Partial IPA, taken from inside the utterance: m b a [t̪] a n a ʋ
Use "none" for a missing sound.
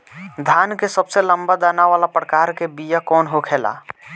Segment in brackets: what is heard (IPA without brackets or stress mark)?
d̪